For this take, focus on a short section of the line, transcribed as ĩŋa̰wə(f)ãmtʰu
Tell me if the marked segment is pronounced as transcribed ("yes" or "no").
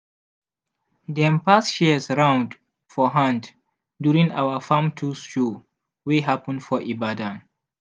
yes